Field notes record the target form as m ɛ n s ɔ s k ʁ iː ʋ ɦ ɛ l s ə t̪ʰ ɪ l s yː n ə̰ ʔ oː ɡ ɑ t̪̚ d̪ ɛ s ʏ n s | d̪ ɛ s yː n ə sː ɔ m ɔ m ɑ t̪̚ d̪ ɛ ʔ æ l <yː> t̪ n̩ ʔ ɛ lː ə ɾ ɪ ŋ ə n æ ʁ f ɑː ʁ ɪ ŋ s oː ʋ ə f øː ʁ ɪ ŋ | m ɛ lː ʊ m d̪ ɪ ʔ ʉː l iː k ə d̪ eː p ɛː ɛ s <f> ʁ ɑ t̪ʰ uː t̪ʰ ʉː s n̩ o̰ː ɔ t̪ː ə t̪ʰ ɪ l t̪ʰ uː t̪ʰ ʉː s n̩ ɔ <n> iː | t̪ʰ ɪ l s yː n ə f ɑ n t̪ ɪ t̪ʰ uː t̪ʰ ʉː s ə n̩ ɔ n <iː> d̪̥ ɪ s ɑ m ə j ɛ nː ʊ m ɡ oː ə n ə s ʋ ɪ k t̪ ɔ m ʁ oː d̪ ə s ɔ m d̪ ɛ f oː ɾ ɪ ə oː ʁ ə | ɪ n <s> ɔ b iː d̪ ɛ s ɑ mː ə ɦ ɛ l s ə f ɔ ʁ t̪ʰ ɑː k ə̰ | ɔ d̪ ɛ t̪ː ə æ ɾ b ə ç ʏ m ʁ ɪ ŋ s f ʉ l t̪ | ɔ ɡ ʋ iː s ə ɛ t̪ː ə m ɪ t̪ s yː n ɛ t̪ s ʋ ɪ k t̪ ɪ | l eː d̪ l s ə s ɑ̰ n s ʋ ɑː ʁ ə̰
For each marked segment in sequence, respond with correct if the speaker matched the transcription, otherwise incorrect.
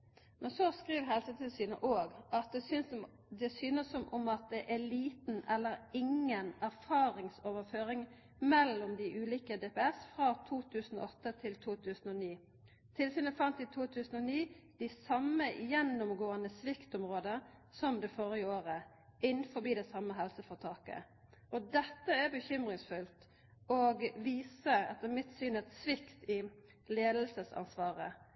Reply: incorrect, correct, correct, correct, incorrect

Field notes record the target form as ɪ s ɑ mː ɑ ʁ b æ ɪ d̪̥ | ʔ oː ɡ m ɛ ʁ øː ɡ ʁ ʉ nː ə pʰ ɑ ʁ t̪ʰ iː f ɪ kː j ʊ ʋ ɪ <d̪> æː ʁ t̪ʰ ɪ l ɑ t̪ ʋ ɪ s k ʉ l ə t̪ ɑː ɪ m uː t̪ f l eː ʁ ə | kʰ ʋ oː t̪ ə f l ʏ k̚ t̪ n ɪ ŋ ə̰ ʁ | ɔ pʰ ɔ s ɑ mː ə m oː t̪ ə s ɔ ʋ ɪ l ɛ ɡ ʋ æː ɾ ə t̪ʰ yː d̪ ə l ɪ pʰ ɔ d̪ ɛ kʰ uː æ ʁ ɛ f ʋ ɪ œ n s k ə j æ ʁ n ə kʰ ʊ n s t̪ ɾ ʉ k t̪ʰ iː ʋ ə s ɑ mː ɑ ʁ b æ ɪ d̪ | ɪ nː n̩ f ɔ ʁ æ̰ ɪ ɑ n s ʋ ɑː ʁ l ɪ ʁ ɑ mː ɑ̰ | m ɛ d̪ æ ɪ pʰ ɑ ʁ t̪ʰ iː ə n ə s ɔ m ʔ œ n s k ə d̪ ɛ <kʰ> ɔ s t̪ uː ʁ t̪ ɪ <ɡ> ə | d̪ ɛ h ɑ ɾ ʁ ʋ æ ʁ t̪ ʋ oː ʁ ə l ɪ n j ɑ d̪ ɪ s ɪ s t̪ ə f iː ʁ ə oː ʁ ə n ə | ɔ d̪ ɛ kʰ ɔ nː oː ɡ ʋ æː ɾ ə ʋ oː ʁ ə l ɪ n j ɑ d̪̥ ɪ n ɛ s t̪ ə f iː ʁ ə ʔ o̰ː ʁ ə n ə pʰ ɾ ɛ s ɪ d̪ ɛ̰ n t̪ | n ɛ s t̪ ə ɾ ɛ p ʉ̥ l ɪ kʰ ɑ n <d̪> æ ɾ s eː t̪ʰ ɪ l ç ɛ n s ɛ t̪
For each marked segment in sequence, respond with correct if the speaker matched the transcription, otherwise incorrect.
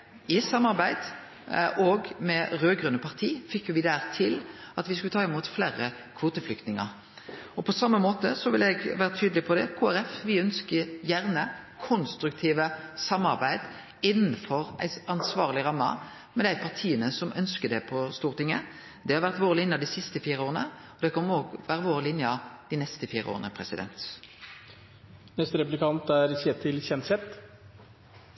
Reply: correct, incorrect, incorrect, incorrect

